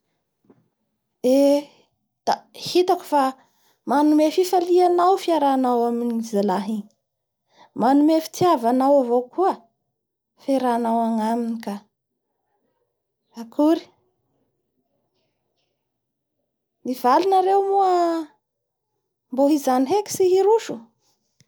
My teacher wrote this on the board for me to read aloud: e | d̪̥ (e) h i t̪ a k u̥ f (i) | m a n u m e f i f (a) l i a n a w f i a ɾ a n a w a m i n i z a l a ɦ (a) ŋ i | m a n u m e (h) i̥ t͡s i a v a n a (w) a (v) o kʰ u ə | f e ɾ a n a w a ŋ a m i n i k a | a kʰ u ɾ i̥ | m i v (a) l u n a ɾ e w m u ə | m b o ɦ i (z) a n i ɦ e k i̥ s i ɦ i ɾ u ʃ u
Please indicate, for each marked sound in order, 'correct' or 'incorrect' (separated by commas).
incorrect, incorrect, correct, incorrect, incorrect, correct, correct, correct, correct